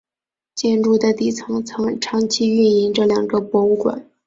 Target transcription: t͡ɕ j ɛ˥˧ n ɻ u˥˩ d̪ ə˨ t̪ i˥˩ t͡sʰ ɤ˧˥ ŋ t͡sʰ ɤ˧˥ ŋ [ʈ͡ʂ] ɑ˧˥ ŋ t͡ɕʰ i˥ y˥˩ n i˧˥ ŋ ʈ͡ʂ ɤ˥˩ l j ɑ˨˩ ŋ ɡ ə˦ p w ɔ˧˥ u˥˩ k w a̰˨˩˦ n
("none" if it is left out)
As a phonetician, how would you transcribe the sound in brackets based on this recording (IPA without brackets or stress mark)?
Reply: ʈ͡ʂʰ